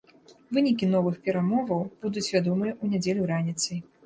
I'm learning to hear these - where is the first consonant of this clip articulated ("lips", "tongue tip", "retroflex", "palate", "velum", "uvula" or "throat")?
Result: lips